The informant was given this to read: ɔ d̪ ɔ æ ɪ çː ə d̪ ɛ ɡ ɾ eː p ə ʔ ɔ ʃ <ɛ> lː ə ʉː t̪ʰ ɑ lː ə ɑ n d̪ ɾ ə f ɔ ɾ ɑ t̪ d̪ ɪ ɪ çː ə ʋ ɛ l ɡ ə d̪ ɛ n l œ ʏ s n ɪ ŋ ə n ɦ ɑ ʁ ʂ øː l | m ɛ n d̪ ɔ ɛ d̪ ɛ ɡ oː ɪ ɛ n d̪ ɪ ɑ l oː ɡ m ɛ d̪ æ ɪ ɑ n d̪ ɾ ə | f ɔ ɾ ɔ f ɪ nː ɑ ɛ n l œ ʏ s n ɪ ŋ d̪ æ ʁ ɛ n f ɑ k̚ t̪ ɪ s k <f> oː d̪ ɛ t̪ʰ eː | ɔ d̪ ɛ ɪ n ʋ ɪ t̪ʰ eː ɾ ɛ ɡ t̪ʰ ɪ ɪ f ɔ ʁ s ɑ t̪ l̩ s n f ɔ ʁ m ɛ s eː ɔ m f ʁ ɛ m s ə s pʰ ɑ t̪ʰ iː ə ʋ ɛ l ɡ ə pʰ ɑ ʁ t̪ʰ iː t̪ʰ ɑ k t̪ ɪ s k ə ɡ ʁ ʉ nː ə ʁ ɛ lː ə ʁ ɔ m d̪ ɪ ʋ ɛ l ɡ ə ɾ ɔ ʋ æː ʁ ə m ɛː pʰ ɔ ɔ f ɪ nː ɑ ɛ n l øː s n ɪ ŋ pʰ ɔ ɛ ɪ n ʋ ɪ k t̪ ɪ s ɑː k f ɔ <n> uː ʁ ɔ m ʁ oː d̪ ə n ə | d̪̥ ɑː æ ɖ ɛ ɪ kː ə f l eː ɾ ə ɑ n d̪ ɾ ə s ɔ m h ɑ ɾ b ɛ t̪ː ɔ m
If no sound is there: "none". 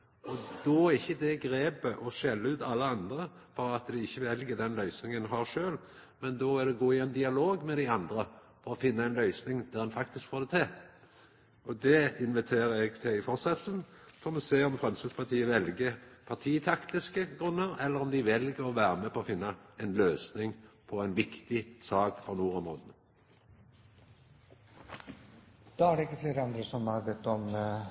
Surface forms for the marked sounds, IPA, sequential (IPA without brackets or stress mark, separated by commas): ɛ, f, n